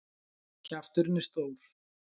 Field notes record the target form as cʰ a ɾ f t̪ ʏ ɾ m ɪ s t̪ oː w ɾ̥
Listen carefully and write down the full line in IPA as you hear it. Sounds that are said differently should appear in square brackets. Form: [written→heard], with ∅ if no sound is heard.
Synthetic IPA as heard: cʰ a [ɾ→∅] f t̪ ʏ ɾ [m→n] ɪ s t̪ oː w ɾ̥